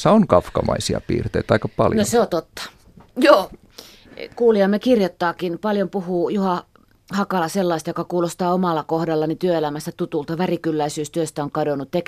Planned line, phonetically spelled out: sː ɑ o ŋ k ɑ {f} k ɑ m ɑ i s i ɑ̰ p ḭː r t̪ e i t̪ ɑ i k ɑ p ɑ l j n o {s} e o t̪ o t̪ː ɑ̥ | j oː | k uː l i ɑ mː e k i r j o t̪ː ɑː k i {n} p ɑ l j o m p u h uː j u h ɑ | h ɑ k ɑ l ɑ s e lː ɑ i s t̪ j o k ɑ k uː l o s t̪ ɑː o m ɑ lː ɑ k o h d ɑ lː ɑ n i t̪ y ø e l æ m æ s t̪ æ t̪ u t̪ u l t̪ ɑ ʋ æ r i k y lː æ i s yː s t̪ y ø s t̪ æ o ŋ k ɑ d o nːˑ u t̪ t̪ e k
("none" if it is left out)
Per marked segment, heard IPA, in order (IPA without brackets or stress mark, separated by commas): f, s, n